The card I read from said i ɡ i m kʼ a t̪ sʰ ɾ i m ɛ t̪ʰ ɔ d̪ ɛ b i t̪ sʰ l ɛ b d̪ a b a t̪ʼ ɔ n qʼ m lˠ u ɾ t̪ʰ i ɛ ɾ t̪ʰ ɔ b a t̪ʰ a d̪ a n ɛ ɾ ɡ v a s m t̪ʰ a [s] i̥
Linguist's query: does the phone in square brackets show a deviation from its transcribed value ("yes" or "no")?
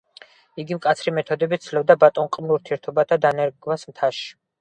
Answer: yes